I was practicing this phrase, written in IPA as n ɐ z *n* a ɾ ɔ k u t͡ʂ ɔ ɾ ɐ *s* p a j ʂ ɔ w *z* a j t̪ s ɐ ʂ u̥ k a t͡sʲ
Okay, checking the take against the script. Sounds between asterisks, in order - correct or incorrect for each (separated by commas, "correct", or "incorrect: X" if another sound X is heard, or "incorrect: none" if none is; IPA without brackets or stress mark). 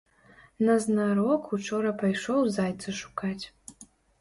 correct, incorrect: none, correct